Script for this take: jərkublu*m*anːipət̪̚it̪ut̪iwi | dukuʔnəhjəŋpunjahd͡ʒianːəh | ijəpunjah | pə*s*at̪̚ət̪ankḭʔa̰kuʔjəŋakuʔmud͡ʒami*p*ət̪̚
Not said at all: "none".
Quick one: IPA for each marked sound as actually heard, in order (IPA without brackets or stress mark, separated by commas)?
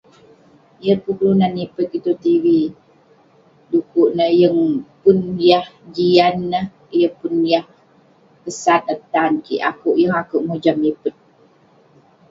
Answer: n, s, p